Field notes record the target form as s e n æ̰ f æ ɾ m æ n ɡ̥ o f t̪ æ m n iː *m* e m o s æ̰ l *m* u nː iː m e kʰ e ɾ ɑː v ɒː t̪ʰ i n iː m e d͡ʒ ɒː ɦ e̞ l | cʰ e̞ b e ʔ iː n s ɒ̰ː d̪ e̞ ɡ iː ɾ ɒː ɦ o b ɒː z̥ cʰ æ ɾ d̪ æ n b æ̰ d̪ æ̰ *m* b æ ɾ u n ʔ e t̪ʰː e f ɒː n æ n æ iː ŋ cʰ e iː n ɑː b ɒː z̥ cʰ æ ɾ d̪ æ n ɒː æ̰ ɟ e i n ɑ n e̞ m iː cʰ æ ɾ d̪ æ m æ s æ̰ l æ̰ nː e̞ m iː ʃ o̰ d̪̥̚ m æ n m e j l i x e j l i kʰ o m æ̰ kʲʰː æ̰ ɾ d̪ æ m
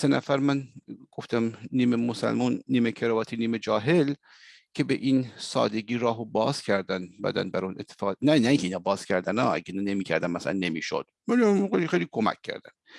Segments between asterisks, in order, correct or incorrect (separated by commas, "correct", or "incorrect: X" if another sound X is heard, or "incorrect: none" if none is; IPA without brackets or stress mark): correct, correct, incorrect: n